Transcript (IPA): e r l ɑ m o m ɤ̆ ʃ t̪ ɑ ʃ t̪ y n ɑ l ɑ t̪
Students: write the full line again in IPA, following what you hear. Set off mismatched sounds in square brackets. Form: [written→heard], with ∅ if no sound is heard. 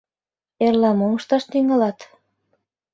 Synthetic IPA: e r l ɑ m o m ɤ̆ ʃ t̪ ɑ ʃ t̪ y [n→ŋ] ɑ l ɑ t̪